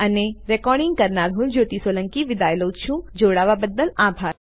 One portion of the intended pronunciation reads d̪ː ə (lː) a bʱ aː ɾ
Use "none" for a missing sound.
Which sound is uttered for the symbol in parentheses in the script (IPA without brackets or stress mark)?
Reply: l